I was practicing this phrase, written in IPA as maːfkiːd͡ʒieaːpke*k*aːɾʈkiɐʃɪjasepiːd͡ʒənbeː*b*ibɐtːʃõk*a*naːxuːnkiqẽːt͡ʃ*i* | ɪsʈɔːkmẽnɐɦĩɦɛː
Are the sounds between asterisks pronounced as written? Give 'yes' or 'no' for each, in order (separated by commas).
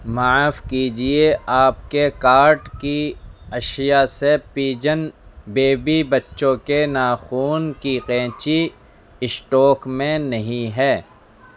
yes, yes, no, yes